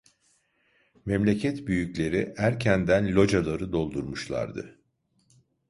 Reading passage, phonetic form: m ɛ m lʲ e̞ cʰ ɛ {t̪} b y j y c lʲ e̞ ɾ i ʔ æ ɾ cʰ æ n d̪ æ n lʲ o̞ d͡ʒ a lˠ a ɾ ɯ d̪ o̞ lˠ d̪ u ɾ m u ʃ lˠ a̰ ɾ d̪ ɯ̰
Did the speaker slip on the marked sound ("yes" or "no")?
no